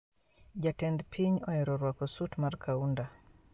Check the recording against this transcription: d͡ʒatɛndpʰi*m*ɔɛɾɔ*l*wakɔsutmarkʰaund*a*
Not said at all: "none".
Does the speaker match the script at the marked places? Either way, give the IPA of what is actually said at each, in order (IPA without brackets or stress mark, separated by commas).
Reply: ɲ, ɾ, a